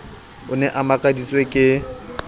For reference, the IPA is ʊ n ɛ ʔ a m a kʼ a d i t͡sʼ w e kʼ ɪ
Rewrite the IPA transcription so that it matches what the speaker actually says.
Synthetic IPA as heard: ʊ n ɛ ʔ a m a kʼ a d i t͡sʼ w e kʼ ɪ